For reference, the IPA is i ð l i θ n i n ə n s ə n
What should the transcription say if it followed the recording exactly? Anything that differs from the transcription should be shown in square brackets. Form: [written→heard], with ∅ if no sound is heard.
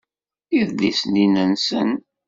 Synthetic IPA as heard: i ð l i [θ→s] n i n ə n s ə n